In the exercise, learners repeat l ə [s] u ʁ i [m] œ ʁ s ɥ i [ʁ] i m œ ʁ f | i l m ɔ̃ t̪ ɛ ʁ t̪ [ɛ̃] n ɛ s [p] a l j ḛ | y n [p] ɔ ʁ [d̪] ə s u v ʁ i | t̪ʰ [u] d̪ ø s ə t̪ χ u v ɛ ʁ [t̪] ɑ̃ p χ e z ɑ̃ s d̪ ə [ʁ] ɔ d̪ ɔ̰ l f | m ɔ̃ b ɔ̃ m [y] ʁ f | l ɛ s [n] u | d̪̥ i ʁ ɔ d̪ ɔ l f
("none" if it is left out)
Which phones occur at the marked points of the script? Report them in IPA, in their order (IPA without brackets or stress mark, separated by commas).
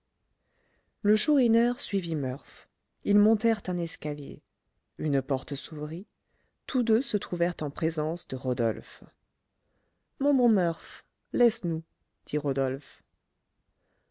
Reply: ʃ, n, v, ɛ̃, k, p, t̪, u, t̪, ʁ, œ, n